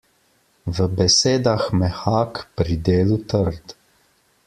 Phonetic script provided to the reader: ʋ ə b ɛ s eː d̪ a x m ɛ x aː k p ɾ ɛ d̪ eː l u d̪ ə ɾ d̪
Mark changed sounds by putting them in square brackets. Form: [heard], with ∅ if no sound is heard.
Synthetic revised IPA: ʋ ə b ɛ s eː d̪ a x m ɛ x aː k p ɾ [i] d̪ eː l u [t̪] ə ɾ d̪